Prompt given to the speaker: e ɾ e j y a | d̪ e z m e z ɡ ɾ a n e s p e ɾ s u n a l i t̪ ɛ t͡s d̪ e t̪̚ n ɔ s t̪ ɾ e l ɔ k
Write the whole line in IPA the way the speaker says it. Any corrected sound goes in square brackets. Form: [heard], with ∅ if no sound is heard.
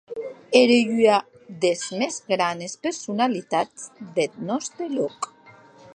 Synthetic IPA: e ɾ e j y a | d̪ e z m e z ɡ ɾ a n e s p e ɾ s u n a l i t̪ [a] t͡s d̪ e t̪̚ n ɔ s t̪ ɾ e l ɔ k